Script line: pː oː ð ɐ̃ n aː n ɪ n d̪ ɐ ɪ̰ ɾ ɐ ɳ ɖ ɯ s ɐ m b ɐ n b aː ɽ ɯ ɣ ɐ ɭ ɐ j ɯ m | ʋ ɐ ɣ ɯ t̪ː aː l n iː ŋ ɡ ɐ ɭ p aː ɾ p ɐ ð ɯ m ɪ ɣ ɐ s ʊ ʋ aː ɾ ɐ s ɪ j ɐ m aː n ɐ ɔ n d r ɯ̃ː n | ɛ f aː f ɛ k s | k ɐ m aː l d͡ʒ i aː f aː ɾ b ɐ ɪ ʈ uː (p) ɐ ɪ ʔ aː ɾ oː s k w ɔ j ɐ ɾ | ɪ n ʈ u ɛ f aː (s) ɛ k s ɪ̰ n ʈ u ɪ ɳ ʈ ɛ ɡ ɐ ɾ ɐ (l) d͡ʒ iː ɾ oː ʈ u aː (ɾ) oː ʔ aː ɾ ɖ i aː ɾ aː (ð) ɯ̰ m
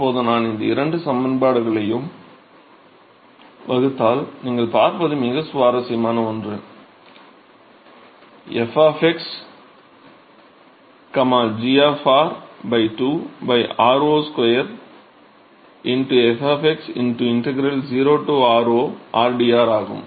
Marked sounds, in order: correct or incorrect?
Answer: incorrect, incorrect, correct, correct, incorrect

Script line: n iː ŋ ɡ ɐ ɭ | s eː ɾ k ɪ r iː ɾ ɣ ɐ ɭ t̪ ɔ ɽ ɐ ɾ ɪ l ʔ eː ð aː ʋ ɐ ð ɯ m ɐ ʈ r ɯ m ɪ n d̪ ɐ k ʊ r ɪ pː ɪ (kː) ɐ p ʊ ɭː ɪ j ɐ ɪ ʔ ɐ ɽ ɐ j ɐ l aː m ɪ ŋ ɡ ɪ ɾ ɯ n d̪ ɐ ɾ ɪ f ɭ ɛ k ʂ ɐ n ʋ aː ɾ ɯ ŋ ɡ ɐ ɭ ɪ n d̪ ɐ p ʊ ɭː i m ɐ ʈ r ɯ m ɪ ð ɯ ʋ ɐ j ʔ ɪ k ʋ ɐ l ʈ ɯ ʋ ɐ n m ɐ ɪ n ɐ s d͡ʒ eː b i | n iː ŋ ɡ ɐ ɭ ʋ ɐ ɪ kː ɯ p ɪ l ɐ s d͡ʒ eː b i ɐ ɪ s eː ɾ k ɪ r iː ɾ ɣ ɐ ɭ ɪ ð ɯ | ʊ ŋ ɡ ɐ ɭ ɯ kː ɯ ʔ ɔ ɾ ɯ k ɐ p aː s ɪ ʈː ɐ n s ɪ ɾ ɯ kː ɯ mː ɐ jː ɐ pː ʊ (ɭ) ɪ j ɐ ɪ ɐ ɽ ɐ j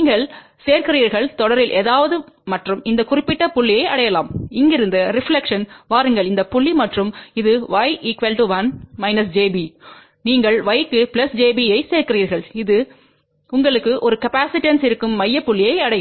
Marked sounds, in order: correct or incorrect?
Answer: incorrect, incorrect

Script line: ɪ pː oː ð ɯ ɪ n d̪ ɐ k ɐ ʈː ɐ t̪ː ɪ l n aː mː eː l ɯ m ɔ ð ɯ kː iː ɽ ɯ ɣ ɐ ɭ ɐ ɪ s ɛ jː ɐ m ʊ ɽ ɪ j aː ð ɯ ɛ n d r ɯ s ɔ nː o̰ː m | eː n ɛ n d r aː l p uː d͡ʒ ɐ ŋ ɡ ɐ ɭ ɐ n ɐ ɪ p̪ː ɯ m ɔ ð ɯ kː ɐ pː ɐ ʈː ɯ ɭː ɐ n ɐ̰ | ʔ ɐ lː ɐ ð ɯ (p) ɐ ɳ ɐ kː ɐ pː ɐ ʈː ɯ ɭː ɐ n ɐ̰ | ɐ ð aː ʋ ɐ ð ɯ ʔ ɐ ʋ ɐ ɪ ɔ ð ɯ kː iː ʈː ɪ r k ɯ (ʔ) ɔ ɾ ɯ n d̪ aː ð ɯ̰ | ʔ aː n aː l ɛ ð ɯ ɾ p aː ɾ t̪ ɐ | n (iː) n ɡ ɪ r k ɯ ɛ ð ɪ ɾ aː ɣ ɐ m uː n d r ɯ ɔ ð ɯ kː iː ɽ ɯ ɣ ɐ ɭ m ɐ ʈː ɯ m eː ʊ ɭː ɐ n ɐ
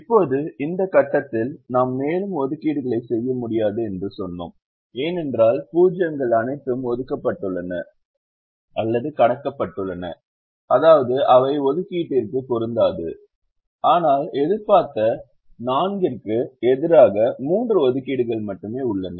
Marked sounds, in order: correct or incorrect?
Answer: incorrect, incorrect, incorrect

